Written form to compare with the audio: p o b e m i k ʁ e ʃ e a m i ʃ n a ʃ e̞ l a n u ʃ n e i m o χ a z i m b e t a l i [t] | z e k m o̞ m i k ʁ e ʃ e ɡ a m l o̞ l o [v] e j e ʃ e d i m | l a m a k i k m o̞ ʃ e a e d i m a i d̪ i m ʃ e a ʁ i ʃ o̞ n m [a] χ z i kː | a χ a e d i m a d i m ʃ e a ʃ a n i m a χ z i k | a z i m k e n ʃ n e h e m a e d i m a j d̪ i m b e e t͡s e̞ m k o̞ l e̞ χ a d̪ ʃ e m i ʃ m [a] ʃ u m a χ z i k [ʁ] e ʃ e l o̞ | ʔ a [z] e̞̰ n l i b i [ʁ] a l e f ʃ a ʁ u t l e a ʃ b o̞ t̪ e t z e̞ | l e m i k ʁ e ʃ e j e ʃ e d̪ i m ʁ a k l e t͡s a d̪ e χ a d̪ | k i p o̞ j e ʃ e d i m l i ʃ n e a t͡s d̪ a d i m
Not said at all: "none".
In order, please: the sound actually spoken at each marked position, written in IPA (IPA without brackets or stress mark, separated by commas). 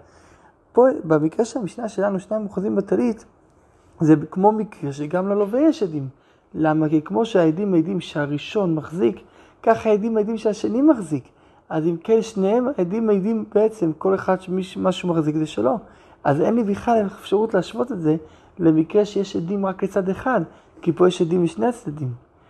t, v, a, a, z, z, χ